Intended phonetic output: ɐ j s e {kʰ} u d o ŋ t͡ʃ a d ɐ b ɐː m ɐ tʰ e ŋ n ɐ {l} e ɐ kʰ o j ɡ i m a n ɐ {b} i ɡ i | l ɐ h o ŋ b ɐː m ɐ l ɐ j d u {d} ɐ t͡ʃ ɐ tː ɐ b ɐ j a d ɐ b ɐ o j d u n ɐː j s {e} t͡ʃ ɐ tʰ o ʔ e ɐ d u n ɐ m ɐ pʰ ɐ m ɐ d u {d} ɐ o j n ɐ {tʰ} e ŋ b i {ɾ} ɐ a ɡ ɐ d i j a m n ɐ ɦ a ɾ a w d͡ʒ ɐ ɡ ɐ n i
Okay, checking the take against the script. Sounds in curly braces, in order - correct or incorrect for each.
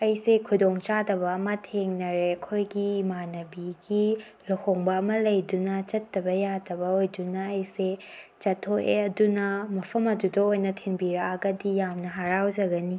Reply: correct, incorrect: ɾ, correct, incorrect: n, correct, correct, correct, correct

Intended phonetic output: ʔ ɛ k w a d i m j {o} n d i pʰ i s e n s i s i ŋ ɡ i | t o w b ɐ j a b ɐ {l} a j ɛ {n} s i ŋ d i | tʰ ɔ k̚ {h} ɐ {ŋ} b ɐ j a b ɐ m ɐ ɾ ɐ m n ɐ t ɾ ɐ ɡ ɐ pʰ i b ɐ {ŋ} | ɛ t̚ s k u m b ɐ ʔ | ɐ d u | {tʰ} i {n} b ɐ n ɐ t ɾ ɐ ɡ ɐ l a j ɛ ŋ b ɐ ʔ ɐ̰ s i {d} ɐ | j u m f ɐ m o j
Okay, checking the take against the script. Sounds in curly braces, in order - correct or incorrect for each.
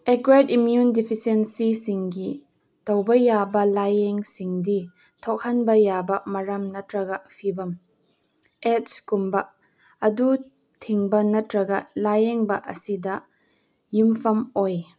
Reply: incorrect: u, correct, incorrect: ŋ, correct, incorrect: n, incorrect: m, correct, incorrect: ŋ, correct

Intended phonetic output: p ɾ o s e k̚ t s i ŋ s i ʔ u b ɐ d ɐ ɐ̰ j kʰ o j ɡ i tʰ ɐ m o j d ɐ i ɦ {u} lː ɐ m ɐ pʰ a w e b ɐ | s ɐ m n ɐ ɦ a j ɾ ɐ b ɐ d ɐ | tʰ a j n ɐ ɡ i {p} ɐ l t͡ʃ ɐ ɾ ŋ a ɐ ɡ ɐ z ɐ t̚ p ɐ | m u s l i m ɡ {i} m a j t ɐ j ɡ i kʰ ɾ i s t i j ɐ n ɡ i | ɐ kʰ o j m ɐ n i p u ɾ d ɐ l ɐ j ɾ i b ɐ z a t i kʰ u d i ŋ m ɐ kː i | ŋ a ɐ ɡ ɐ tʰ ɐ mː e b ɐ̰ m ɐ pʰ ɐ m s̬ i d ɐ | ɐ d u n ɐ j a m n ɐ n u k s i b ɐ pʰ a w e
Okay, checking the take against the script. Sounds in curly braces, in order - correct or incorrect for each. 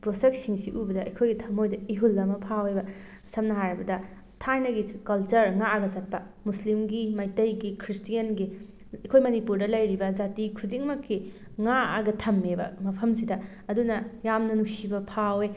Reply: correct, incorrect: k, correct

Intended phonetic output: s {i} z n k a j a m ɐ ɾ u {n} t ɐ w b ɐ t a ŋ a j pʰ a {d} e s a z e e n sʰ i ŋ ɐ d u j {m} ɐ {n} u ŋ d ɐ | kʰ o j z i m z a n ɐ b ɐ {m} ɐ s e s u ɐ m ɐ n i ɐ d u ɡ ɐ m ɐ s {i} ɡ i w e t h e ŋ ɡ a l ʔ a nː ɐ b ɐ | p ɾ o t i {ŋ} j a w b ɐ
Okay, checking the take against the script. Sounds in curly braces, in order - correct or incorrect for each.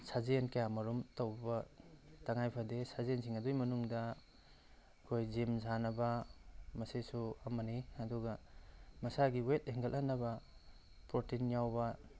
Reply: incorrect: a, incorrect: m, correct, correct, correct, correct, incorrect: a, incorrect: n

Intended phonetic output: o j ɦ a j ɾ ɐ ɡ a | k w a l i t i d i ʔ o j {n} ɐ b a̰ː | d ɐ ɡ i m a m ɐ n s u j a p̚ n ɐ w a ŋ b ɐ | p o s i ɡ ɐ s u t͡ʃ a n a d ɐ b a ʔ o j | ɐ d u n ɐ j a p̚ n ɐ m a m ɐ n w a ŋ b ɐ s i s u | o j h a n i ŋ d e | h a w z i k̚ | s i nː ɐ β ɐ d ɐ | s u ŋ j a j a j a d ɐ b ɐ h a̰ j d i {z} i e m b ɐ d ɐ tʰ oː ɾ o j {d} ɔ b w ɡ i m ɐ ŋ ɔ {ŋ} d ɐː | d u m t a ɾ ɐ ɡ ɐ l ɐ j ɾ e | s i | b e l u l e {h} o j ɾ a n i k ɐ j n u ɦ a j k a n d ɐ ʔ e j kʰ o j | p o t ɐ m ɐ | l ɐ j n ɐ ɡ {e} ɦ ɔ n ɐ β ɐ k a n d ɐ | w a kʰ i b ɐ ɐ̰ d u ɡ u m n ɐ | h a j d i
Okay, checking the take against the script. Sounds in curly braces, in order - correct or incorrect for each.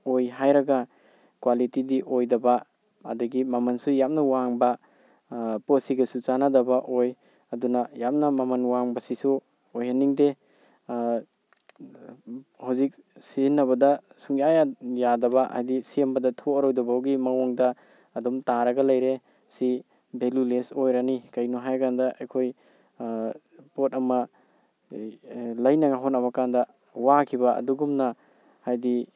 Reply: incorrect: d, incorrect: s, correct, correct, incorrect: s, incorrect: a

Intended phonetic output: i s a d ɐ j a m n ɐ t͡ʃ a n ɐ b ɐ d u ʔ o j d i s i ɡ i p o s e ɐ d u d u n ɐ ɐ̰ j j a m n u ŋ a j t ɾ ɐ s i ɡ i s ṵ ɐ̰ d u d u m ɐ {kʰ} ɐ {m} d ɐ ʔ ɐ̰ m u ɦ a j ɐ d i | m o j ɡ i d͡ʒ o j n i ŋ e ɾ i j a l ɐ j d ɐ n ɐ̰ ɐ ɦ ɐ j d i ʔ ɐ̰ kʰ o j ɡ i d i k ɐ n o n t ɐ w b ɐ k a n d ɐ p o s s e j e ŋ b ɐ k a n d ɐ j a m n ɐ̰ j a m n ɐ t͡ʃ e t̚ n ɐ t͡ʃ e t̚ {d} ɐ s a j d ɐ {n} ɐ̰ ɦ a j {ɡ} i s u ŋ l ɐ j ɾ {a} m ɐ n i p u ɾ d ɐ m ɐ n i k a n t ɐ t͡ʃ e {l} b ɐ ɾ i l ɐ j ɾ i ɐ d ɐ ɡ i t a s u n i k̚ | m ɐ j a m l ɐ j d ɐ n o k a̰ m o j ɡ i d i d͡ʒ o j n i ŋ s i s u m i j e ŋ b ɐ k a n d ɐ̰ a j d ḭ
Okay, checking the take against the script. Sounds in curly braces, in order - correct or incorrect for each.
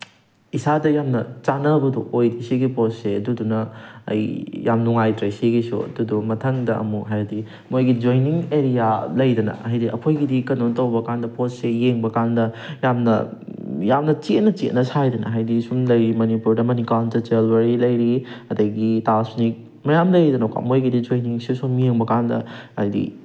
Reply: incorrect: tʰ, incorrect: ŋ, incorrect: n, correct, incorrect: d, incorrect: i, correct

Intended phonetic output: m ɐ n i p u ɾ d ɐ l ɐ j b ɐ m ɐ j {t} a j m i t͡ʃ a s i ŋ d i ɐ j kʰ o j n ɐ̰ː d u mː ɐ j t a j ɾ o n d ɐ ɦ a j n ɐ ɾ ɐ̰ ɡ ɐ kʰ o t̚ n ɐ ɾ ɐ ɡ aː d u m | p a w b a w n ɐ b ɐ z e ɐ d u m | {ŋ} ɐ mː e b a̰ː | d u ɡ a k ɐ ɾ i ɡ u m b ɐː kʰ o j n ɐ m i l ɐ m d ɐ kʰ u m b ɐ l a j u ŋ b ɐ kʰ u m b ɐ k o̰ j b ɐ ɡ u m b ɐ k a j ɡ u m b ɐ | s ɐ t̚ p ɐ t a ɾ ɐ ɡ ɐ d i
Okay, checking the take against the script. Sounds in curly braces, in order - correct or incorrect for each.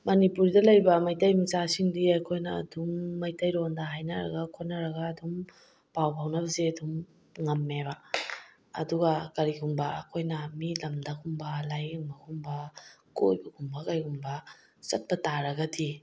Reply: correct, correct

